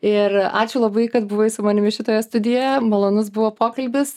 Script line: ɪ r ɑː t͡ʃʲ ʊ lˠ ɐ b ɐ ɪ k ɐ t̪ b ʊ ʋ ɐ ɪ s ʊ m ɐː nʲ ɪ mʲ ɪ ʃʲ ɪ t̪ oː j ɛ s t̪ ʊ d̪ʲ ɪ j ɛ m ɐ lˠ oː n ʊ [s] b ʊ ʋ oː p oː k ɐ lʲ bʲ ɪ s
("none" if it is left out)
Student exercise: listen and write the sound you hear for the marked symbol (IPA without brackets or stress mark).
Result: s